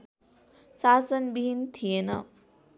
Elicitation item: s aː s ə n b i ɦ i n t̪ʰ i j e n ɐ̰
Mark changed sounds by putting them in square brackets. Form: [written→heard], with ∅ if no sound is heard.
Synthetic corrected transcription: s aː s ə n b i ɦ i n t̪ʰ i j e n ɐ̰